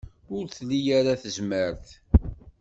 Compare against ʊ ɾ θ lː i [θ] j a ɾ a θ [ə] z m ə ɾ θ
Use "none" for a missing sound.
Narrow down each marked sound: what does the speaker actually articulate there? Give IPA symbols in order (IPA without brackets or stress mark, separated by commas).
none, ə